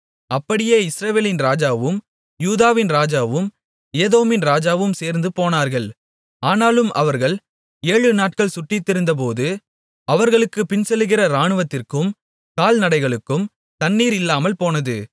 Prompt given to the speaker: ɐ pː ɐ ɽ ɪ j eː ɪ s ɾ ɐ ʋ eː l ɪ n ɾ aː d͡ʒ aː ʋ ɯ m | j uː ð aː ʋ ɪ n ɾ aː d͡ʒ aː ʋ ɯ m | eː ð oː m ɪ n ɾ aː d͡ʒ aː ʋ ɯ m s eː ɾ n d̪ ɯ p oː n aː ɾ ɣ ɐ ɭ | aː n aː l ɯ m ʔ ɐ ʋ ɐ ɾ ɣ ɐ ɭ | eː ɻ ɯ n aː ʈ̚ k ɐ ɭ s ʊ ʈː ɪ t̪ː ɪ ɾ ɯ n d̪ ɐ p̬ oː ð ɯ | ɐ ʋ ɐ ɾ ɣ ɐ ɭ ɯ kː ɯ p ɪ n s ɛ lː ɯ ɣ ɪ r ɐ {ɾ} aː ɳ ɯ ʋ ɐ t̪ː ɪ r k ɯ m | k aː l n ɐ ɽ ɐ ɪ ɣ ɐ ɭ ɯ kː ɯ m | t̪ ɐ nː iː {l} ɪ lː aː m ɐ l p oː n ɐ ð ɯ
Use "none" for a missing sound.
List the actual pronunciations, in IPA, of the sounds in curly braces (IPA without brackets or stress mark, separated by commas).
ɾ, ɾ